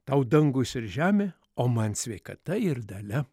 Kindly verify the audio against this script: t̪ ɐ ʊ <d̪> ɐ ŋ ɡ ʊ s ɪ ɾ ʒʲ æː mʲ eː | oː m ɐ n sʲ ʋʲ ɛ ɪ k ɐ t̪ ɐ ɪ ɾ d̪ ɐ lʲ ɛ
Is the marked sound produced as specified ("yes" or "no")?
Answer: yes